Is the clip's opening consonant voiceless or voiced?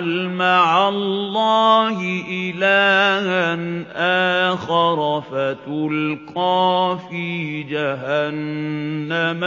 voiced